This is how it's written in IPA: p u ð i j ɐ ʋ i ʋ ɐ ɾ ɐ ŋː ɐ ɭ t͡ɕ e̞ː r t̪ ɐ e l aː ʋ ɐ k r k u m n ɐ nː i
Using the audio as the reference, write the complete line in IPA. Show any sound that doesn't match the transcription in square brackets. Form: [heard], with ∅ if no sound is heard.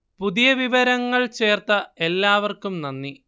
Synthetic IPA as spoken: p u ð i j ɐ ʋ i ʋ ɐ ɾ ɐ ŋː ɐ ɭ t͡ɕ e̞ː r t̪ ɐ e [lː] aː ʋ ɐ [∅] r k u m n ɐ nː i